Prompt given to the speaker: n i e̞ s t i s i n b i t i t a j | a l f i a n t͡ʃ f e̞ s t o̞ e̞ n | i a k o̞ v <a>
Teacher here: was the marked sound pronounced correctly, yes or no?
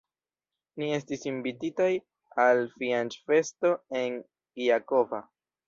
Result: yes